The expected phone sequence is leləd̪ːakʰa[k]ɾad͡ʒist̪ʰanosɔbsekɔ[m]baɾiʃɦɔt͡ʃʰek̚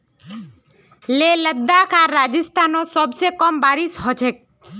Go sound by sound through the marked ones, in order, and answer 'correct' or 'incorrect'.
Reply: incorrect: none, correct

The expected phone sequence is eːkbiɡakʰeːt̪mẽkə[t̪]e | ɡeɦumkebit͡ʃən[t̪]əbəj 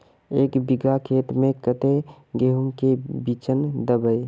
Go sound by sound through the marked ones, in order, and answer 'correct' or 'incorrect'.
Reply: correct, incorrect: d̪

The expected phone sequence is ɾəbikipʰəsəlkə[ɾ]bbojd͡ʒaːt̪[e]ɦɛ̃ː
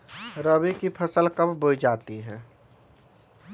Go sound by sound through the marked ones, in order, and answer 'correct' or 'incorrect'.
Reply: incorrect: none, incorrect: i

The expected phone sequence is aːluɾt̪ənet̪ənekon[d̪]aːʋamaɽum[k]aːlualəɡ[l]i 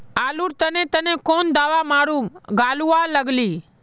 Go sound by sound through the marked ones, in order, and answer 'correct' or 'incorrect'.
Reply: correct, incorrect: ɡ, correct

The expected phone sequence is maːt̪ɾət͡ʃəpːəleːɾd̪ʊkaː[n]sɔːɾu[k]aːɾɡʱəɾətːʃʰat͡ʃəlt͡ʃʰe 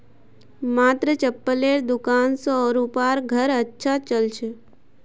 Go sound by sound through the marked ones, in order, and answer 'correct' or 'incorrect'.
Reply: correct, incorrect: p

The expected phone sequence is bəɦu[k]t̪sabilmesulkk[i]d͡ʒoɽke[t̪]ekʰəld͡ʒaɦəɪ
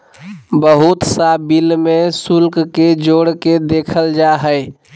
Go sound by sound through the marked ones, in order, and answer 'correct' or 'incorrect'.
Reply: incorrect: none, incorrect: e, incorrect: d̪

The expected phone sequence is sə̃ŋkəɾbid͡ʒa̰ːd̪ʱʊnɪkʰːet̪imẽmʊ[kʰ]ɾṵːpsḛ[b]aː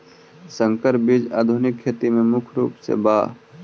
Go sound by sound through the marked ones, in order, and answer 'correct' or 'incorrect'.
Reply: correct, correct

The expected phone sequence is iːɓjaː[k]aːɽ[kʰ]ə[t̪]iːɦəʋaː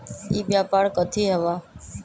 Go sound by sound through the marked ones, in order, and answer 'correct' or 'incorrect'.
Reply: incorrect: p, incorrect: k, incorrect: t̪ʰ

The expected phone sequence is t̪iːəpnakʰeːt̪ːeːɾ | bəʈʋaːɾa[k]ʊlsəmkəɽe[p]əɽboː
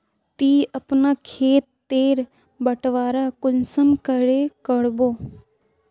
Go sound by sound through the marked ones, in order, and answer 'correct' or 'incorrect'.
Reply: correct, incorrect: k

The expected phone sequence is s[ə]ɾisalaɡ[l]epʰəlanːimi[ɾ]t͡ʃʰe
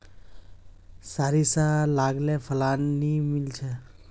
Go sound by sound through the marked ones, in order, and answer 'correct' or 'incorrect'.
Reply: incorrect: a, correct, incorrect: l

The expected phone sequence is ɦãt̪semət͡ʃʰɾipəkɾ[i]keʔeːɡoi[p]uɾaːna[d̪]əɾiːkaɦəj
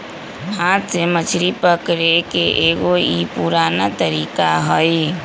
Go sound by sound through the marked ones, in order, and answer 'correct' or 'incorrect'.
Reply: incorrect: e, correct, incorrect: t̪

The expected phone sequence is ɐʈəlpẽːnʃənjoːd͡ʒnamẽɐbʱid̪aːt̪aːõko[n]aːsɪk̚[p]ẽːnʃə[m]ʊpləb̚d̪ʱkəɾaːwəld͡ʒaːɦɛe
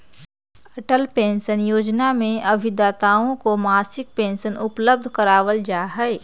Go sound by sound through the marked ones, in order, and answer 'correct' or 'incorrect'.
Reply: incorrect: m, correct, incorrect: n

